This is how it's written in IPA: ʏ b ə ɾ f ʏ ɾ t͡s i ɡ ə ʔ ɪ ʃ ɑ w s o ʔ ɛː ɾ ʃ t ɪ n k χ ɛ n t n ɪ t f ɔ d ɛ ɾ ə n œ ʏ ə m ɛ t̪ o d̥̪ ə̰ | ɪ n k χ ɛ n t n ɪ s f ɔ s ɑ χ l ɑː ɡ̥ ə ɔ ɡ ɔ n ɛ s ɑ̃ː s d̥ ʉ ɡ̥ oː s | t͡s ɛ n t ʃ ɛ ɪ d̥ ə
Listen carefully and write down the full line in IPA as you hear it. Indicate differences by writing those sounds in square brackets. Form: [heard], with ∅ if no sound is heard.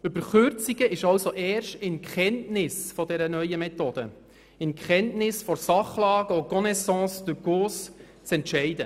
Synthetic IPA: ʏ b ə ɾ [χ] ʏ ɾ t͡s i ɡ ə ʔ ɪ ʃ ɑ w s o ʔ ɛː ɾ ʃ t ɪ n k χ ɛ n t n ɪ [s] f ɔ d ɛ ɾ ə n œ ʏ ə m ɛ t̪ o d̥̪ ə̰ | ɪ n k χ ɛ n t n ɪ s f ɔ s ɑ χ l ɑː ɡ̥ ə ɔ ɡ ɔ n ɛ s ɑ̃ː s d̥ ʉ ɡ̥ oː s | t͡s ɛ n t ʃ ɛ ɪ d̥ ə

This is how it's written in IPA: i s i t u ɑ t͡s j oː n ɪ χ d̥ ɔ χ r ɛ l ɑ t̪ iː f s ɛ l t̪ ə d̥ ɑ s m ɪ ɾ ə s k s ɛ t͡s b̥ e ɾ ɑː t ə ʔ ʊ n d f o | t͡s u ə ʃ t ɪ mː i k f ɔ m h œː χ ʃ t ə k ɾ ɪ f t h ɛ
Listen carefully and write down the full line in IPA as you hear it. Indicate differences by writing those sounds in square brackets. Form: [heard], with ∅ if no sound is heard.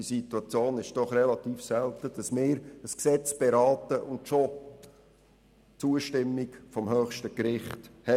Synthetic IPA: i s i t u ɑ t͡s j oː n ɪ [ʃ] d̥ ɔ χ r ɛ l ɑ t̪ iː f s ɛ l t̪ ə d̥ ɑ s m [ɪː] ɾ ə s k s ɛ t͡s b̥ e ɾ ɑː t ə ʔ ʊ n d [ʃ] o | t͡s u ə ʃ t ɪ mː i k f ɔ m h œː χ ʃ t ə k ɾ ɪ [χ] t h ɛ

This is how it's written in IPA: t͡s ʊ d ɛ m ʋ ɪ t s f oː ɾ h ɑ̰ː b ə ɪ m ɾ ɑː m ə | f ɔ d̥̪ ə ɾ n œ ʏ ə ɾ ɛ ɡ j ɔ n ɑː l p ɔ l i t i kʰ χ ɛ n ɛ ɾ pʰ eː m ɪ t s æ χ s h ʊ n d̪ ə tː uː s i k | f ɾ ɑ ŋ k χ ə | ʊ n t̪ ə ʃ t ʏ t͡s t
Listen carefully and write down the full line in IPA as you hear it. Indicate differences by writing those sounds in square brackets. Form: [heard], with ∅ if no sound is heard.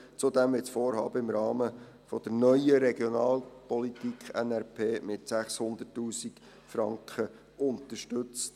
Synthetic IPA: t͡s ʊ d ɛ m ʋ ɪ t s f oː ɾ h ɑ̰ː b ə ɪ m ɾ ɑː m ə | f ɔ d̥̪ ə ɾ n œ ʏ ə ɾ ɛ ɡ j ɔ n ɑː l p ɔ l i t i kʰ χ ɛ n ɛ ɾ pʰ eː m ɪ t s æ χ s h ʊ n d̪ ə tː uː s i k | f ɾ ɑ ŋ k χ ə | ʊ n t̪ ə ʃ t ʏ t͡s t

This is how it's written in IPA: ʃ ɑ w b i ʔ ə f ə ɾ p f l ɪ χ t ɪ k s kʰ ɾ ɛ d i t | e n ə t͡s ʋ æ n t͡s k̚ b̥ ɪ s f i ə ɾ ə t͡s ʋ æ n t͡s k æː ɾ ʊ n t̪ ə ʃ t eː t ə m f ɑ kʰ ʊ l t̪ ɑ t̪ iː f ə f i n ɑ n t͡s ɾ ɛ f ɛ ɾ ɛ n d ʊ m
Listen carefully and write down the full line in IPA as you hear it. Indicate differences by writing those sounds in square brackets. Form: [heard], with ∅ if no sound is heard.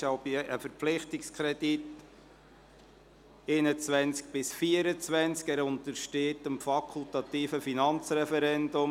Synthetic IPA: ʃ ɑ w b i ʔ ə f ə ɾ p f l ɪ χ t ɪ k s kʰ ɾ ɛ d i t | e n ə t͡s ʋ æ n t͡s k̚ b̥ ɪ s f i ə ɾ ə t͡s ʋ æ n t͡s k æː ɾ ʊ n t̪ ə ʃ t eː t ə m f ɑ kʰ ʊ l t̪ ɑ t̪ iː f ə f i n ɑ n t͡s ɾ ɛ f ɛ ɾ ɛ n d ʊ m

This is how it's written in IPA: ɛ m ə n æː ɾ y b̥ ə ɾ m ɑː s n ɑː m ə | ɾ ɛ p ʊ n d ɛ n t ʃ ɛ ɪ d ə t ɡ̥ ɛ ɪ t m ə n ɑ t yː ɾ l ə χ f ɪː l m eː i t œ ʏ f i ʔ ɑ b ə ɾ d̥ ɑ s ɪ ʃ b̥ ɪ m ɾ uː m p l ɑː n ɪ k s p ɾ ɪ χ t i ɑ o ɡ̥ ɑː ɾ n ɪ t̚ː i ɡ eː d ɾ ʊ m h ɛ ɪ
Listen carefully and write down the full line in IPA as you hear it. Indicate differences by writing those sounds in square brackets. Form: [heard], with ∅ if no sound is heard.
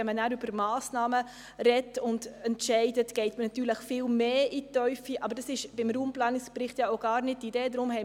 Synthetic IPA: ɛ m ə n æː ɾ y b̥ ə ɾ m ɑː s n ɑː m ə | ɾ ɛ [t] ʊ n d ɛ n t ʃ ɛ ɪ d ə t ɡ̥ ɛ ɪ t m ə n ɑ t yː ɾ l ə χ f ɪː l m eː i t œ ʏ f i ʔ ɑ b ə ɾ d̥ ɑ s ɪ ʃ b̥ ɪ m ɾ uː m p l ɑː n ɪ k s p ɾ ɪ χ t [j] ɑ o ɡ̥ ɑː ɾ n ɪ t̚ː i [d] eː d ɾ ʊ m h ɛ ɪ

